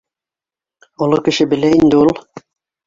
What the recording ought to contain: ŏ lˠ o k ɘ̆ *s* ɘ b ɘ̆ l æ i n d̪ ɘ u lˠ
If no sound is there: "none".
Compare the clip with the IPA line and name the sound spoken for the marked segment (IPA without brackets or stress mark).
ʃ